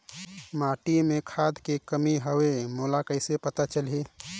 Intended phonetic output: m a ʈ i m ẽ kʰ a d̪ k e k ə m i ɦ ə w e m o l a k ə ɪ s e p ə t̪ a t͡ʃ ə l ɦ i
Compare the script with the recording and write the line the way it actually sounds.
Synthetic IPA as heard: m a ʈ i m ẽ kʰ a d̪ k e k ə m i ɦ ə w e m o l a k ə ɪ s e p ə t̪ a t͡ʃ ə l ɦ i